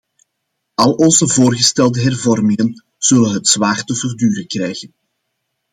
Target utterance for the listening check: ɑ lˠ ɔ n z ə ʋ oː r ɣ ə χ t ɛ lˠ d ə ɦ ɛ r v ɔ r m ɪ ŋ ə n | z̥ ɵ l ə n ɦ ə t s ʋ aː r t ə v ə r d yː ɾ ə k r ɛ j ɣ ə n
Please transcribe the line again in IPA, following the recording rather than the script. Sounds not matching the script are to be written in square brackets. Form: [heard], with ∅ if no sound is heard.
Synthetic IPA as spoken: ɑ lˠ ɔ n z ə [v] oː r ɣ ə [s] t ɛ lˠ d ə ɦ ɛ r v ɔ r m ɪ ŋ ə n | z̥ ɵ l ə n ɦ ə t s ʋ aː r t ə v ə r d yː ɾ ə k r ɛ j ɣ ə n